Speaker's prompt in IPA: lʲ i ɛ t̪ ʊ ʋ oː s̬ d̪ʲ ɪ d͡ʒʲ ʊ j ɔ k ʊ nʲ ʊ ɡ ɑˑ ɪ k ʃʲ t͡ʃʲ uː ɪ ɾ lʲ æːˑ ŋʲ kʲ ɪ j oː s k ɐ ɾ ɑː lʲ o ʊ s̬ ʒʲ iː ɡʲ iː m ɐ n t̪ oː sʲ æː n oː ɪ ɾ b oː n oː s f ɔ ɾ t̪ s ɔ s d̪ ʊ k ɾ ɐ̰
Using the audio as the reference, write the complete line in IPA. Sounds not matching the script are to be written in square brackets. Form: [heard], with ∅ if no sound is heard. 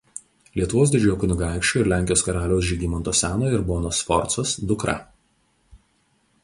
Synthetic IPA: lʲ i ɛ t̪ ʊ ʋ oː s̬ d̪ʲ ɪ d͡ʒʲ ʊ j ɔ k ʊ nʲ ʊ ɡ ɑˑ ɪ k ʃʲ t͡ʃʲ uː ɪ ɾ lʲ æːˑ ŋʲ kʲ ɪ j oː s k ɐ ɾ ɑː lʲ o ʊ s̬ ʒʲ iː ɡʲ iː m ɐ n t̪ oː sʲ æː n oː ɪ ɾ b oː n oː s f ɔ ɾ t̪ s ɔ s d̪ ʊ k ɾ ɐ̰